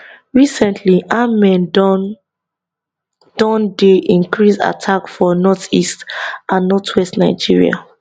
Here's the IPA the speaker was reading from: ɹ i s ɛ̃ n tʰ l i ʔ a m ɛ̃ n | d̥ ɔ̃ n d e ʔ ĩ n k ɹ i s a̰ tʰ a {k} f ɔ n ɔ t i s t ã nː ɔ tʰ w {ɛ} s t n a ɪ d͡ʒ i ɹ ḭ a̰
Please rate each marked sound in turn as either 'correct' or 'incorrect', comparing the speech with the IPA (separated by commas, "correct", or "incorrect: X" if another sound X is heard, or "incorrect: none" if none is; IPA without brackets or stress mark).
correct, correct